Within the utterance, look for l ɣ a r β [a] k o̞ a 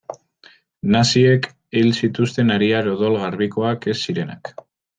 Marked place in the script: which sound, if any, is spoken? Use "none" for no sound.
i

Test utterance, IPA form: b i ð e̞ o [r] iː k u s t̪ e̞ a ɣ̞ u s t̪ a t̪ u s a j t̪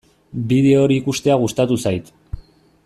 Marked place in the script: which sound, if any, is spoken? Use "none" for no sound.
ɾ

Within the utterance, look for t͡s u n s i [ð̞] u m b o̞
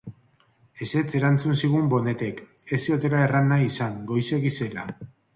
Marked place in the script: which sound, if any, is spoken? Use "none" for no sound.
ɣ̞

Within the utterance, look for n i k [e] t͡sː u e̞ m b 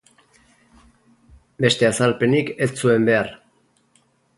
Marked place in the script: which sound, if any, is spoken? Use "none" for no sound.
e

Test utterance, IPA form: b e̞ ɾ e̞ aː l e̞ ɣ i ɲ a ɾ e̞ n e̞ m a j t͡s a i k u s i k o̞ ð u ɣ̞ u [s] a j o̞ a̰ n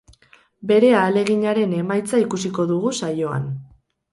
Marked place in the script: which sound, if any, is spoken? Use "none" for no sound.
s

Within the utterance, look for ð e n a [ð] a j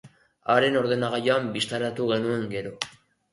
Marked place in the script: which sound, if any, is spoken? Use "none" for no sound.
ɣ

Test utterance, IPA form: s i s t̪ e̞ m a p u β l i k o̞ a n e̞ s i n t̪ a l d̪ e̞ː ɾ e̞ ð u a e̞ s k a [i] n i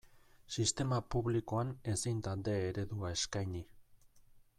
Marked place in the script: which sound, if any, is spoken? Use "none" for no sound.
j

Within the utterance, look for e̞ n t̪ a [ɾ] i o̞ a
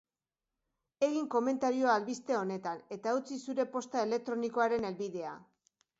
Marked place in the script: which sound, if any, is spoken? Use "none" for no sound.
ɾ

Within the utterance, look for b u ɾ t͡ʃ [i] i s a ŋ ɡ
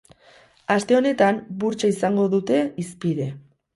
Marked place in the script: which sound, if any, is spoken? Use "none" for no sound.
a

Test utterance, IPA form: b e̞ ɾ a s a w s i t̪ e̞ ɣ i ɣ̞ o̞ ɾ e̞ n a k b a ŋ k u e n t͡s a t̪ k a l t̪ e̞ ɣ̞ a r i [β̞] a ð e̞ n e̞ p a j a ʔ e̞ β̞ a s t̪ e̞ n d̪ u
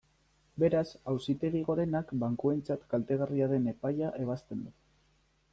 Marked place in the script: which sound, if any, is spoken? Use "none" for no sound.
none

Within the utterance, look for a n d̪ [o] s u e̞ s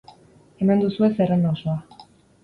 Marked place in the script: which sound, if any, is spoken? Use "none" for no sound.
u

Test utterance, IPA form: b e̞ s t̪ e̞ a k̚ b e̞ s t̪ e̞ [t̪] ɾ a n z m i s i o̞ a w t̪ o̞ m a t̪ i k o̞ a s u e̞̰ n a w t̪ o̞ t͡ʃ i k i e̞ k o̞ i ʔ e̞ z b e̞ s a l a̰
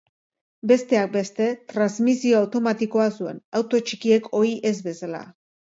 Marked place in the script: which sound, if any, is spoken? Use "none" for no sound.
t̪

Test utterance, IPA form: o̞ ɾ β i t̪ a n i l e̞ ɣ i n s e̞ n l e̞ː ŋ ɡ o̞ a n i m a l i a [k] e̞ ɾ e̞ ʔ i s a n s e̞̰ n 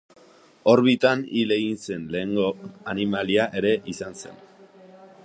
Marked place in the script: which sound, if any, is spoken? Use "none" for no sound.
ʔ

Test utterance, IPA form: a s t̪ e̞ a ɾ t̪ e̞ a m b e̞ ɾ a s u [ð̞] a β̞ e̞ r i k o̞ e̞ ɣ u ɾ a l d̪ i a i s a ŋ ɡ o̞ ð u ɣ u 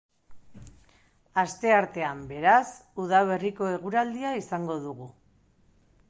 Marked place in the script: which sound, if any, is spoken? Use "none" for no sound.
ð̞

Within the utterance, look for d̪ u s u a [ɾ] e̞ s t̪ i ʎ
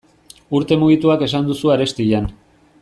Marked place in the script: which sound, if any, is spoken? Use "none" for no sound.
ɾ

